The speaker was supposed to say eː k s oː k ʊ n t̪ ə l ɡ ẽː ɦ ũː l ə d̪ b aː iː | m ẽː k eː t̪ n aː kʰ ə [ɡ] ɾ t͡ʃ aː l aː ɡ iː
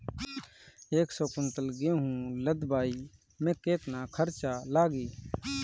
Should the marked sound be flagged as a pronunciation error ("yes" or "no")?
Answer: yes